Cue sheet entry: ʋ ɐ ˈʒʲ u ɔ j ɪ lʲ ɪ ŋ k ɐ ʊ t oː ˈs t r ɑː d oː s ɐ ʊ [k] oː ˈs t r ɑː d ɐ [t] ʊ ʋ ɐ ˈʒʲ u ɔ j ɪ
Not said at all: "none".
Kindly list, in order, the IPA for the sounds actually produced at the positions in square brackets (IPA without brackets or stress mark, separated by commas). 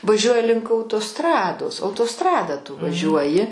t, t